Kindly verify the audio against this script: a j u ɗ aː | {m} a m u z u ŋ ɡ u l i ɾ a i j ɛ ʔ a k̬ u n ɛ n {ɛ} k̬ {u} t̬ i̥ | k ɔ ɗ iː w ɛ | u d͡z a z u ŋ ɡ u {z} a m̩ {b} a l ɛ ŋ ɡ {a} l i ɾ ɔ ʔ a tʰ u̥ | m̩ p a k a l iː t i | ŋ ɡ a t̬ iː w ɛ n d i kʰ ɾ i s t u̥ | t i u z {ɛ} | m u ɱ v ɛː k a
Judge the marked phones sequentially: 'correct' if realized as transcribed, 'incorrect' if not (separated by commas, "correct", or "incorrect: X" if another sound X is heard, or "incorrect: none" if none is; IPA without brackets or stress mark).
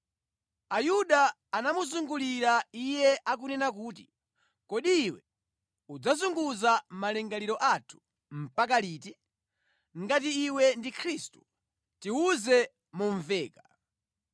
incorrect: n, incorrect: a, incorrect: uː, correct, incorrect: m, correct, correct